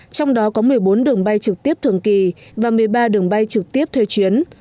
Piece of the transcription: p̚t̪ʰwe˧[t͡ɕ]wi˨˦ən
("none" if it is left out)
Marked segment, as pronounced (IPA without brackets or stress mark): t͡ɕ